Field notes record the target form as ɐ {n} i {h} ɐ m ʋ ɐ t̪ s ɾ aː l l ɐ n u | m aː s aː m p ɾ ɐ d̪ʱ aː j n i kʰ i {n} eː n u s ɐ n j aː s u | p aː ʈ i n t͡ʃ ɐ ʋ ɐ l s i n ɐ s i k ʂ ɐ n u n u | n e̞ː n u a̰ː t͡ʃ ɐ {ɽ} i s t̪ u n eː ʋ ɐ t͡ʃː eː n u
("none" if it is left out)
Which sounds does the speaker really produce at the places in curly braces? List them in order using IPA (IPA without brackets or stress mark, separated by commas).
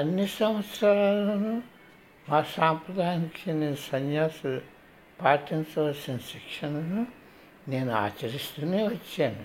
nː, s, n, ɾ